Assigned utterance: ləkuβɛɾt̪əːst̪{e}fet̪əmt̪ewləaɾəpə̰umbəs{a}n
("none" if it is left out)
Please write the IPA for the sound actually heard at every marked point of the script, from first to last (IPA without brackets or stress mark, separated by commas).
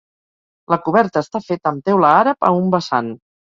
a, a